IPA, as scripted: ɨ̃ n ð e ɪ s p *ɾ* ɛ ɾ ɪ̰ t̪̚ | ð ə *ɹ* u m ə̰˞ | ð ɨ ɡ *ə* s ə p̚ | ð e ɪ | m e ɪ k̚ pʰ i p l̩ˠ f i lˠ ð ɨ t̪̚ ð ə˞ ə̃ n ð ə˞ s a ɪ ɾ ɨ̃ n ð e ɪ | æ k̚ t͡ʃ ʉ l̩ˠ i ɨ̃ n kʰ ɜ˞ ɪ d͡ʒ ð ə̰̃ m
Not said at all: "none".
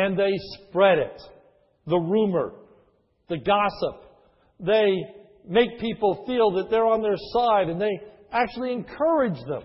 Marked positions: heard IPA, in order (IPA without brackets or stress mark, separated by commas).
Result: ɹ, ɹ, ɑ